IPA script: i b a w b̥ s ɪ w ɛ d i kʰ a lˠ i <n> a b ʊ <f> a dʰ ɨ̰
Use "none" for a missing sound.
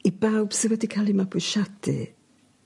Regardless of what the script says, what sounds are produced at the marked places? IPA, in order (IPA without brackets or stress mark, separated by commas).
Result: m, ʃ